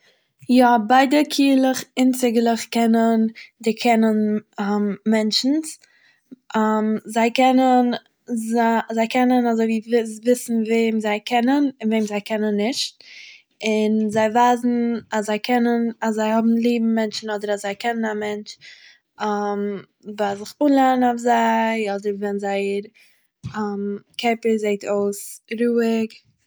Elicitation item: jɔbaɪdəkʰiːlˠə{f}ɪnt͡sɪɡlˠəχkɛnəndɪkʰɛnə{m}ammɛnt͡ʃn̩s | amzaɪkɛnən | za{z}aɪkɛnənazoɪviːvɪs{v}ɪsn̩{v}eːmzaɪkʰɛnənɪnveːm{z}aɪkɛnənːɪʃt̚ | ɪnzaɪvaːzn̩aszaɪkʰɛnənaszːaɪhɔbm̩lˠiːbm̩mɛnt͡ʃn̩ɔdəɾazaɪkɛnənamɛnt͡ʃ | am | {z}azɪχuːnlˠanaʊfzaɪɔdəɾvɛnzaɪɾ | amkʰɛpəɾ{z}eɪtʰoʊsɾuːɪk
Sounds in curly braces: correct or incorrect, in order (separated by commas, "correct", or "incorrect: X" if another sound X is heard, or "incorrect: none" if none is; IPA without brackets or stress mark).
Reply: incorrect: χ, incorrect: n, correct, correct, correct, correct, incorrect: v, correct